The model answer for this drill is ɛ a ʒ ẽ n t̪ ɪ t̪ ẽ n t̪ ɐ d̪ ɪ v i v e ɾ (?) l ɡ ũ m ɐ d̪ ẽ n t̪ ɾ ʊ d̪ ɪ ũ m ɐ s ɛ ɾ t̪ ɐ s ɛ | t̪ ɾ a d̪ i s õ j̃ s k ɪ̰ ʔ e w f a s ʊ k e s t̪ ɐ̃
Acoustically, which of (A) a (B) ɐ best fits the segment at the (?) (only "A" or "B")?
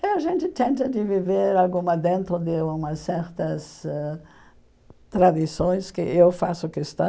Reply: A